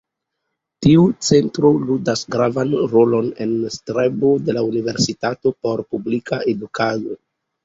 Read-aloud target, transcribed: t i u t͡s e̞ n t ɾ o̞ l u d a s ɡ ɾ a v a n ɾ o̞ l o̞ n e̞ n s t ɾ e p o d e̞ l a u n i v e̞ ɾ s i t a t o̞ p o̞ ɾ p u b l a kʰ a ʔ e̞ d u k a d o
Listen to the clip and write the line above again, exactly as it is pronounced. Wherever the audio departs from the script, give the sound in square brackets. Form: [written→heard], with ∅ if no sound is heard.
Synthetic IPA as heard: t i u t͡s e̞ n t ɾ o̞ l u d a s ɡ ɾ a v a n ɾ o̞ l o̞ n e̞ n s t ɾ e [p→b] o d e̞ l a u n i v e̞ ɾ s i t a t o̞ p o̞ ɾ p u b l [a→i] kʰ a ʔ e̞ d u k a d o